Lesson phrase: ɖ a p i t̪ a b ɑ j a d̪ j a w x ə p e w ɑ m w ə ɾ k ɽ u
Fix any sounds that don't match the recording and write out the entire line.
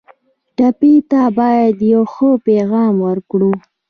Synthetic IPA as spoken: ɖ a p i t̪ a b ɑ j a d̪ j a w x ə p e ɣ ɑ m w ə ɾ k ɽ u